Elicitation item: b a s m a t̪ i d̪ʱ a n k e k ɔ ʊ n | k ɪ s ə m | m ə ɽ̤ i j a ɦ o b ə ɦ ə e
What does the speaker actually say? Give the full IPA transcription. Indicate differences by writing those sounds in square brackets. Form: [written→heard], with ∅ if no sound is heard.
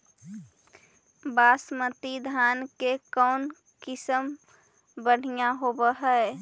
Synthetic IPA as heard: b a s m [a→ə] t̪ i d̪ʱ a n k e k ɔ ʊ n | k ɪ s ə m | [m→b] ə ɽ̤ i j a ɦ o b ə ɦ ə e